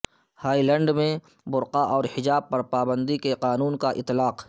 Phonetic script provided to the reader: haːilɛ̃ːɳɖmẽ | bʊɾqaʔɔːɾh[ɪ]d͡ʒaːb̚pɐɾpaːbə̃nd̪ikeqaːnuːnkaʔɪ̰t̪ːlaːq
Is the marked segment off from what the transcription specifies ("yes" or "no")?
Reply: no